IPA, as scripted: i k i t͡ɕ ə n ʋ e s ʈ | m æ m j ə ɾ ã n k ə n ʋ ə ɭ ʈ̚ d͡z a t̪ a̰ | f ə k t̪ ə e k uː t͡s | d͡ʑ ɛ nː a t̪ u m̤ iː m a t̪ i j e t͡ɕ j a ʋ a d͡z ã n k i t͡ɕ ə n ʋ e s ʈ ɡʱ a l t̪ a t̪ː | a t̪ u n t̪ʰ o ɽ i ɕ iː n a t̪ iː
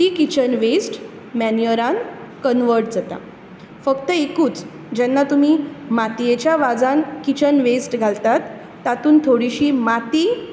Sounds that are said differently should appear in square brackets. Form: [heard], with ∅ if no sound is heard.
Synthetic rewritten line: i k i t͡ɕ ə n ʋ e s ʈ | m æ [n] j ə ɾ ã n k ə n ʋ ə [ɾ] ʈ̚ d͡z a t̪ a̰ | f ə k t̪ ə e k uː t͡s | d͡ʑ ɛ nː a t̪ u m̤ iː m a t̪ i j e t͡ɕ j a ʋ a d͡z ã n k i t͡ɕ ə n ʋ e s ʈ ɡʱ a l t̪ a t̪ː | a t̪ [uː] n t̪ʰ o ɽ i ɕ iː [m] a t̪ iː